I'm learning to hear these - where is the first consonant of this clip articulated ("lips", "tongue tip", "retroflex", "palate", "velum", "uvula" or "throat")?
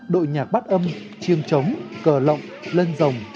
tongue tip